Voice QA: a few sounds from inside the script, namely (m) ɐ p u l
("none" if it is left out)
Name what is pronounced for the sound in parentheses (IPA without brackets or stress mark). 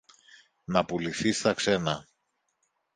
n